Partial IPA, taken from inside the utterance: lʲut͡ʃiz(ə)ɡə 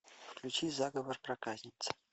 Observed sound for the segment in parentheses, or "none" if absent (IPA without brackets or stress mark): a